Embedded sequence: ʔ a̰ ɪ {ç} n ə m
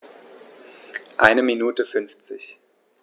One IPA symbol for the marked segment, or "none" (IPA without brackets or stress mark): none